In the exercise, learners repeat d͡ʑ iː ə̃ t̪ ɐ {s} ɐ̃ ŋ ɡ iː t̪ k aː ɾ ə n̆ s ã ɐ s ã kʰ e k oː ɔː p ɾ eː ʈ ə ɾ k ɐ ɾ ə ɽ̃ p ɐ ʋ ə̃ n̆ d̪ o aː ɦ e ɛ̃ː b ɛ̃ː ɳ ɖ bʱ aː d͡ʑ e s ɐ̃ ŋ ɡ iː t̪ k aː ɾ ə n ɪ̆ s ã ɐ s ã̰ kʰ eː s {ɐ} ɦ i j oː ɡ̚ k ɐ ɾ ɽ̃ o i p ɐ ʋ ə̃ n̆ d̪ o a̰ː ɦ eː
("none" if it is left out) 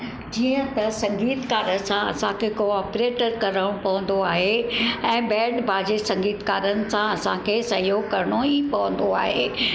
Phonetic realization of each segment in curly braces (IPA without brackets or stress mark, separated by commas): s, ɐ